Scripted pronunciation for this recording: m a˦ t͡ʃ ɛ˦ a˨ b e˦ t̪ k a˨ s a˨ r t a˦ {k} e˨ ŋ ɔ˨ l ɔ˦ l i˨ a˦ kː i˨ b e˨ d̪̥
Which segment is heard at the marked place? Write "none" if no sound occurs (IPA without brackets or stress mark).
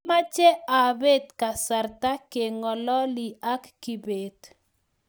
k